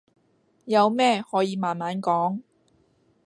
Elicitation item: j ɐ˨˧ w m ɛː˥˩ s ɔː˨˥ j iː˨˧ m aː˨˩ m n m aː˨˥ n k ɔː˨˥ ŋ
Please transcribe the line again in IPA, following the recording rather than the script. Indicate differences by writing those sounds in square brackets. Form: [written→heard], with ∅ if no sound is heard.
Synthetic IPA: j ɐ˨˧ w m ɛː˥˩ [s→h] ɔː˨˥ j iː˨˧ m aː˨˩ [m→∅] n m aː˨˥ n k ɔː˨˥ ŋ